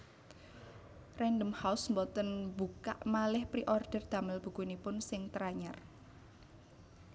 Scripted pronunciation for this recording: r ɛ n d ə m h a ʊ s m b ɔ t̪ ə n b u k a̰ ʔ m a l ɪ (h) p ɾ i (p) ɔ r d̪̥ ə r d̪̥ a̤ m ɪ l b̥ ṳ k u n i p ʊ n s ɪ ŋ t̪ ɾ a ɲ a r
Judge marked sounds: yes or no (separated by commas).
yes, no